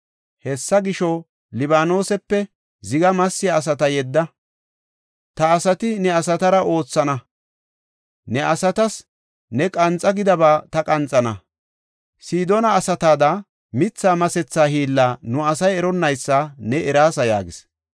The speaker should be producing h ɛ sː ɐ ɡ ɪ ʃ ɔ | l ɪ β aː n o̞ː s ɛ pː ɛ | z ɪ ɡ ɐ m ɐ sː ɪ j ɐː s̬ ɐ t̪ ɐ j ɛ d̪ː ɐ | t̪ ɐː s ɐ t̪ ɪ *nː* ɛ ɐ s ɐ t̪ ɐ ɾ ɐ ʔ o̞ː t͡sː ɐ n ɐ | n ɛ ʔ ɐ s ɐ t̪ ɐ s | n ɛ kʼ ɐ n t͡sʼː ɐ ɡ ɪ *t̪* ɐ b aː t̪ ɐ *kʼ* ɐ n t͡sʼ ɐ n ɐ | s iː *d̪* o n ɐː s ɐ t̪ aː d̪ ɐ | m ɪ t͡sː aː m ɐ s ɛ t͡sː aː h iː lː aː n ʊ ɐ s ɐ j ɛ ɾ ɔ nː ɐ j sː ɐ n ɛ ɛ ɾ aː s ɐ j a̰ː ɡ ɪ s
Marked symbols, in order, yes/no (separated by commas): no, no, yes, yes